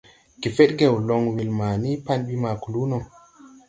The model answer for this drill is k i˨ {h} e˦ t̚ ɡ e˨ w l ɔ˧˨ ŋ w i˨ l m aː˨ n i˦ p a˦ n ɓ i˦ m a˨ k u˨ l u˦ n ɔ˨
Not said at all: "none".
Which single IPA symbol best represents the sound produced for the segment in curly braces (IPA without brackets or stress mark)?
f